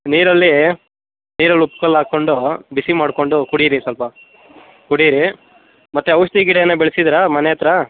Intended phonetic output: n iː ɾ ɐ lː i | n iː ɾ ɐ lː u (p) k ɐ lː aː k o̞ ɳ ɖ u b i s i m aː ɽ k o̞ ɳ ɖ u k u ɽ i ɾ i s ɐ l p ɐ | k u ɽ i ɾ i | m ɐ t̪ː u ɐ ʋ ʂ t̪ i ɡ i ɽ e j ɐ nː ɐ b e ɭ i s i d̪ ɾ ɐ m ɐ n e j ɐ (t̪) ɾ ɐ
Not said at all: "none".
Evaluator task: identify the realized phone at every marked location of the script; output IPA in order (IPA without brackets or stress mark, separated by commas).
p, t̪